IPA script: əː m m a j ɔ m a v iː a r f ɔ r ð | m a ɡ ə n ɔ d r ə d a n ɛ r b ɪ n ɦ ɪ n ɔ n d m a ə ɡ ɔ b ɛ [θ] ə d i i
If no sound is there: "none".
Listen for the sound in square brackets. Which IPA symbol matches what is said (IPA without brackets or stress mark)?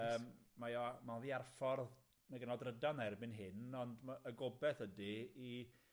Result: θ